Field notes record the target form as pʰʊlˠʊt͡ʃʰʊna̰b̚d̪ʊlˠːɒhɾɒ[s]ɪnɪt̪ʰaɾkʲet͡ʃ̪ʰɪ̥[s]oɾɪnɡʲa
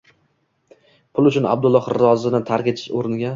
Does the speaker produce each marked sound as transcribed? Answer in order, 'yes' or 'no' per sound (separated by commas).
no, no